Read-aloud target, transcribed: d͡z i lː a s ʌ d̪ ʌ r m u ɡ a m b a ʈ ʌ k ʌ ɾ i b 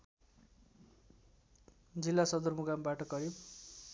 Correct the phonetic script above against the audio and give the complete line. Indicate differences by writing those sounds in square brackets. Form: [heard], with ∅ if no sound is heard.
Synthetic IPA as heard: d͡z i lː a s ʌ d̪ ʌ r m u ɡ a m b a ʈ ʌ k ʌ ɾ i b